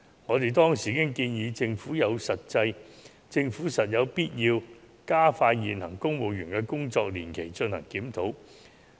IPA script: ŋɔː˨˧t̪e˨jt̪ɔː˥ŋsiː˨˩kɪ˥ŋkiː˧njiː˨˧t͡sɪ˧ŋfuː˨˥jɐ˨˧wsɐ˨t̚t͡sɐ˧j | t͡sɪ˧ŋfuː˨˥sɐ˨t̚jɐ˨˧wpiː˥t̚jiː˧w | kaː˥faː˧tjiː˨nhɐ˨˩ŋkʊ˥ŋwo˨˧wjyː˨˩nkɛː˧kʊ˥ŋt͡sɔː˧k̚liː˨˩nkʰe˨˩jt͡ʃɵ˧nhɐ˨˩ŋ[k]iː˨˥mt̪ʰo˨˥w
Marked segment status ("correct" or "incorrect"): correct